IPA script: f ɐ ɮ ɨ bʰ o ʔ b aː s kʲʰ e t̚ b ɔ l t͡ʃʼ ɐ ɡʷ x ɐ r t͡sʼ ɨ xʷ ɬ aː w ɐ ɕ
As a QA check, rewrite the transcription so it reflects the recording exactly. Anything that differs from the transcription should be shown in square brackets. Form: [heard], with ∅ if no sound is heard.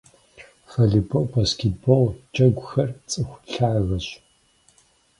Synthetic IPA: f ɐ ɮ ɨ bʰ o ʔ b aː s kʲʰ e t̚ b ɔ l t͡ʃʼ ɐ ɡʷ x ɐ r t͡sʼ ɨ xʷ ɬ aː [ɣ] ɐ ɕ